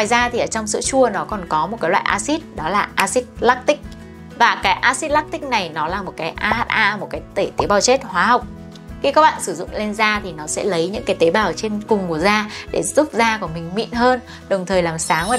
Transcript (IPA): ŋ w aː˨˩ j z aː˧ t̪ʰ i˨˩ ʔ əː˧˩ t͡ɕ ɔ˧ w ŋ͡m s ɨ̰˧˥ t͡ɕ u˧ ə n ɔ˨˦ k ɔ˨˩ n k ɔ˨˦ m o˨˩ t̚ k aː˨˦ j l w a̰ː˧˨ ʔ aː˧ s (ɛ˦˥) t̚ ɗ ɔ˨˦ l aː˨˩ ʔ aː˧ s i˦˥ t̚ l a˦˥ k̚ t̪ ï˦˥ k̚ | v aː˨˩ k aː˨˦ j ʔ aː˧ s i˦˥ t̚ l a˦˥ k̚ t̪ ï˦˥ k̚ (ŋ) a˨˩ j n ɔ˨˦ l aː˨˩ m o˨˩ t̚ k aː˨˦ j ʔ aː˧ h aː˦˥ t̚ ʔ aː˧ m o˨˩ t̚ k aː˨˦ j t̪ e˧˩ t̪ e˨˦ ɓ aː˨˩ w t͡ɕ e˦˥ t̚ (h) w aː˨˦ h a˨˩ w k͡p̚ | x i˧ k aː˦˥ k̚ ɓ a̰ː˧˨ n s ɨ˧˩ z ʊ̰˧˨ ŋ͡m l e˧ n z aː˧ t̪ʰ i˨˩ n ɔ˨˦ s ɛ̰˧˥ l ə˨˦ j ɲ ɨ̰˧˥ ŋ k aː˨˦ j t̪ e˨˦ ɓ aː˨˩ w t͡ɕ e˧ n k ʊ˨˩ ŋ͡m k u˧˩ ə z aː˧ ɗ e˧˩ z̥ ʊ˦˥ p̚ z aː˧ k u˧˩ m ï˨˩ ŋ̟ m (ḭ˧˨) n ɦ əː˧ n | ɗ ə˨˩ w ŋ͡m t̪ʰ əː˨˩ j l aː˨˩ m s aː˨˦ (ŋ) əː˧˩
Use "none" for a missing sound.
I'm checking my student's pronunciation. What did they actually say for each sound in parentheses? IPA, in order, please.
i˦˥, n, h, ḭ˧˨, ŋ

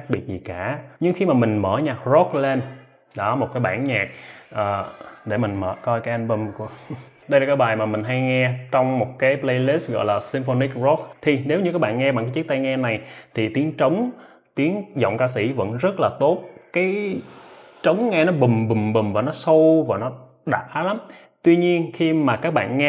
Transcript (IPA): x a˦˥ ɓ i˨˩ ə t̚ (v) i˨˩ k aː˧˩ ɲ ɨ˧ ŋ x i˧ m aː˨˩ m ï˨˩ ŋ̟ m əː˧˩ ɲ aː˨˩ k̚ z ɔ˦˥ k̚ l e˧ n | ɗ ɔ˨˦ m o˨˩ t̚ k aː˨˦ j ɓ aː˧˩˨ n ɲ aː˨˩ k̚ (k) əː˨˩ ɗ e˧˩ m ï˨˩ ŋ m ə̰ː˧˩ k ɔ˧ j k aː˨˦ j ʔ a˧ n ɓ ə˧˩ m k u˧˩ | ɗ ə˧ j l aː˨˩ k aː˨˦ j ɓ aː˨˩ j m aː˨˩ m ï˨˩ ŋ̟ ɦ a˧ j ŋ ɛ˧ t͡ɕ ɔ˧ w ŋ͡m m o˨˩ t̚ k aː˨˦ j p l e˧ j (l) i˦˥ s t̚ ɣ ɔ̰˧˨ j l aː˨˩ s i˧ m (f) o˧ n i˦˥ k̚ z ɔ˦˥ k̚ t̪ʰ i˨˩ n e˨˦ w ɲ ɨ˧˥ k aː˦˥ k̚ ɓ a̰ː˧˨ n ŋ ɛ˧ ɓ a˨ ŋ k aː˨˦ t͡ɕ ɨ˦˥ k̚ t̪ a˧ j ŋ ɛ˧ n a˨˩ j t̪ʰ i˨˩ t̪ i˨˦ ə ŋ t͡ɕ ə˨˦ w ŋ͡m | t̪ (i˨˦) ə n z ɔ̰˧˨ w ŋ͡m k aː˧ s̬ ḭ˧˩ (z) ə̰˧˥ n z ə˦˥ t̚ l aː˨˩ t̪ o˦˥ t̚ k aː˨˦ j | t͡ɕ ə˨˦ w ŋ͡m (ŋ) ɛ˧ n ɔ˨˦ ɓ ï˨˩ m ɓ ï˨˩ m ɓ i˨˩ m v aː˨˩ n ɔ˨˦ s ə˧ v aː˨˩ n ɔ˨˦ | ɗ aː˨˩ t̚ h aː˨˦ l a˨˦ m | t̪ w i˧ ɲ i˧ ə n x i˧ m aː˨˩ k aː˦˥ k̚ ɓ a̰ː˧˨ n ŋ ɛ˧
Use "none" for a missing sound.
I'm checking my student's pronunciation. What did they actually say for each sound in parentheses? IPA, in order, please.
z, ʔ, l, f, i˨˦, v, ŋ

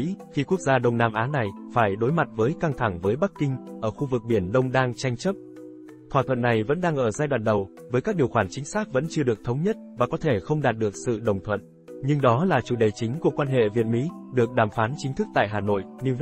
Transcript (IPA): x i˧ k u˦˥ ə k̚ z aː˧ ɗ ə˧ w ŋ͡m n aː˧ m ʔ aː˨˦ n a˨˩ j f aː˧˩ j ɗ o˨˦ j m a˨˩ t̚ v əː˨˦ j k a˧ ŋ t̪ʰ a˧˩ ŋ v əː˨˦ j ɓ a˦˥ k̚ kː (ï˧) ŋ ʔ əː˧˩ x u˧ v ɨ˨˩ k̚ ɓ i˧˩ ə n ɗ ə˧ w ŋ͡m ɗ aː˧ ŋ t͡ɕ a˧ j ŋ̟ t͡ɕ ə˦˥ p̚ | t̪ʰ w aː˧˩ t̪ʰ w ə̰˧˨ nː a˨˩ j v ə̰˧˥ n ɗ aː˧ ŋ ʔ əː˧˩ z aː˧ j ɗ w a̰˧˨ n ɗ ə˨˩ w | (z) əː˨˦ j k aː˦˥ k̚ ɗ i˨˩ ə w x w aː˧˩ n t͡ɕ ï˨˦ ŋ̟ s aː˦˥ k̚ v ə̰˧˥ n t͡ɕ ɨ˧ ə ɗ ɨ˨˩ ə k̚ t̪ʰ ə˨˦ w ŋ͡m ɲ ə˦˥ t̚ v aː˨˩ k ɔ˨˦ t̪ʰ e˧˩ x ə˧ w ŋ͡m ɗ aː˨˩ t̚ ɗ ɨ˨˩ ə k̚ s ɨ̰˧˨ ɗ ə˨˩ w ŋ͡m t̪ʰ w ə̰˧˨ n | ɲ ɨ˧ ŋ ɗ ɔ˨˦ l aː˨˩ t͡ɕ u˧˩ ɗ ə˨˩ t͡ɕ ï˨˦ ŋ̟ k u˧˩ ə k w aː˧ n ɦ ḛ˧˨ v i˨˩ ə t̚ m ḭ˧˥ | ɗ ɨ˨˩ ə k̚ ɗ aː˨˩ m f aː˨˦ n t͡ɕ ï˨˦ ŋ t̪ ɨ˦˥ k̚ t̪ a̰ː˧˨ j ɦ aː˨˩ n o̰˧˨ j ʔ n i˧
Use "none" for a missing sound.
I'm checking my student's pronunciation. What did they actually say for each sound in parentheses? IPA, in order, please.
ï˧, v

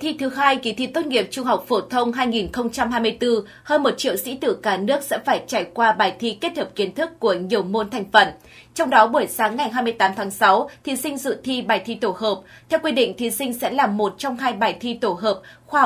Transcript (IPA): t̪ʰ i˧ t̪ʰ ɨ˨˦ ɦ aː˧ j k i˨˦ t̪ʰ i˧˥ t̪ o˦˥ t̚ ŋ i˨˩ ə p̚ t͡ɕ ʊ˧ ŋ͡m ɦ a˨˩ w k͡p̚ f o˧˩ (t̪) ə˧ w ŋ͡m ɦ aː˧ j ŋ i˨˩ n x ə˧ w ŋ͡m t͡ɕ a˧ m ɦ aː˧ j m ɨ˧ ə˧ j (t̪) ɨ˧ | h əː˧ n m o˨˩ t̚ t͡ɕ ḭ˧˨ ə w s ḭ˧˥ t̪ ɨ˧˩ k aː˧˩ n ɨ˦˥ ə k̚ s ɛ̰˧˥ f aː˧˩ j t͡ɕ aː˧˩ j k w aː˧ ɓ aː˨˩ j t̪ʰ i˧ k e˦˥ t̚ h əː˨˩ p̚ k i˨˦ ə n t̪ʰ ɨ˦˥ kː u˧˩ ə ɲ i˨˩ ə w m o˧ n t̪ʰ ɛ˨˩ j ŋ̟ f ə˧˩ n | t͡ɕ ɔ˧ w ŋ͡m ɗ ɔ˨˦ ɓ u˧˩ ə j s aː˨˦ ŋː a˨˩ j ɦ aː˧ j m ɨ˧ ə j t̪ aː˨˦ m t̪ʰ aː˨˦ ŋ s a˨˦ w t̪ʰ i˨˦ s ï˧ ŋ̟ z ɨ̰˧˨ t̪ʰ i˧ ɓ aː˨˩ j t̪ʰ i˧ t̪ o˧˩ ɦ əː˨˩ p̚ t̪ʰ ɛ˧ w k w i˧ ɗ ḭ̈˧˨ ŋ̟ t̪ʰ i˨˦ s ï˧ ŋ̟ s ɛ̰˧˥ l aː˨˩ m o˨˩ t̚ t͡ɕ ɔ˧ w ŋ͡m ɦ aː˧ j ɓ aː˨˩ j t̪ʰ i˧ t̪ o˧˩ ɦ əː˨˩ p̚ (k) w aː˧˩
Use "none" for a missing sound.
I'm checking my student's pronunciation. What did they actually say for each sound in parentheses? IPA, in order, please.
t̪ʰ, t̪, x

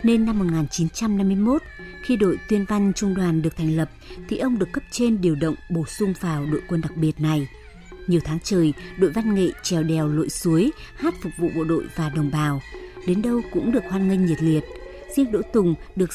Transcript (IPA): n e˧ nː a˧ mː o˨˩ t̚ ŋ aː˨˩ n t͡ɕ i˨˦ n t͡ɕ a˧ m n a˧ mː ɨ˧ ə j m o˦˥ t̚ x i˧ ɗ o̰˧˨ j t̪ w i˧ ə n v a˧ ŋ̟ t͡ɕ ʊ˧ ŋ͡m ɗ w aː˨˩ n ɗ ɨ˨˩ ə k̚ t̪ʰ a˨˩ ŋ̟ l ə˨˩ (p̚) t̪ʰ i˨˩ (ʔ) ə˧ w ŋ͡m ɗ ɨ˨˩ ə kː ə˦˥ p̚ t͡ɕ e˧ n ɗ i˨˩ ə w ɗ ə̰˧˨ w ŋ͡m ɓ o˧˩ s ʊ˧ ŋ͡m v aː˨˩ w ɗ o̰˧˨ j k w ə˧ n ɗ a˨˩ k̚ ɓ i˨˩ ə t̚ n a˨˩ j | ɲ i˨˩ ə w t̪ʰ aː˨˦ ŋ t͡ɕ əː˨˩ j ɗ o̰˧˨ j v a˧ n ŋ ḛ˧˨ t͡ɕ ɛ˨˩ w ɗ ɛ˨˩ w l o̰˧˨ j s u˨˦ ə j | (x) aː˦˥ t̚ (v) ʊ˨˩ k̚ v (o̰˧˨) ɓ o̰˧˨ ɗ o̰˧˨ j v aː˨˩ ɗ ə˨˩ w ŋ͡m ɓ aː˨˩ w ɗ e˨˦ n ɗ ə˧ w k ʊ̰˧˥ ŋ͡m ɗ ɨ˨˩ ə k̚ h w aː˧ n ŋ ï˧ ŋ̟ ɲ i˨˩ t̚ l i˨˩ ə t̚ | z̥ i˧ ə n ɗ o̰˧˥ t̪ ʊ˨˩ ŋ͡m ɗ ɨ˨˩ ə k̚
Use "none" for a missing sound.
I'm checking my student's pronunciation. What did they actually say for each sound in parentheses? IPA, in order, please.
p̚, ʔ, h, f, ṵ˧˨

